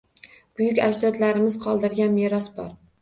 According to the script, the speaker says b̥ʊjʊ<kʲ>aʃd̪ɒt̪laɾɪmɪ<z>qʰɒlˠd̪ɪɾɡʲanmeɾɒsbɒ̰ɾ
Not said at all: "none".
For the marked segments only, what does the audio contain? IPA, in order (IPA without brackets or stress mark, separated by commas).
kʲ, z